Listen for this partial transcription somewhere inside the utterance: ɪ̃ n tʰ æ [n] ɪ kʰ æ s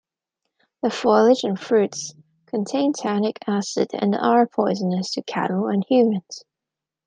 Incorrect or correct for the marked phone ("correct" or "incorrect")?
correct